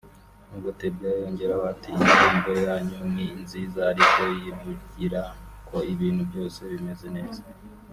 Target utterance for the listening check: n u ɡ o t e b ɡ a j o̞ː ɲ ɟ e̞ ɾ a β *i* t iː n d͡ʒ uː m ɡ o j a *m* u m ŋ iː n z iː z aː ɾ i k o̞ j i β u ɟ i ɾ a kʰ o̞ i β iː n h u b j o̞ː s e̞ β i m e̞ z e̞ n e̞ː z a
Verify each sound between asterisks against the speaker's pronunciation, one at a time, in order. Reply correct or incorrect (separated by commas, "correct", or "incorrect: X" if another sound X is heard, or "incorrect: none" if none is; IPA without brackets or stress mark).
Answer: incorrect: a, incorrect: ɲ